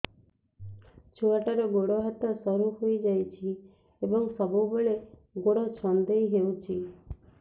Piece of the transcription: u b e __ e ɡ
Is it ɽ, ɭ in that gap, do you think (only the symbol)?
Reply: ɭ